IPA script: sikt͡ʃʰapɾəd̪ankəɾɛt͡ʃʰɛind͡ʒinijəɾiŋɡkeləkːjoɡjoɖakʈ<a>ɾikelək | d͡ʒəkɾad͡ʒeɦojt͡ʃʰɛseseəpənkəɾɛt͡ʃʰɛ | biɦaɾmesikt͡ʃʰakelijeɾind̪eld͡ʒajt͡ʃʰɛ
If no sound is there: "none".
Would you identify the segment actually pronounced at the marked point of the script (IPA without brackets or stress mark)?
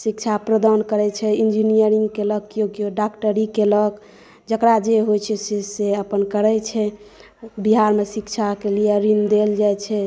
ə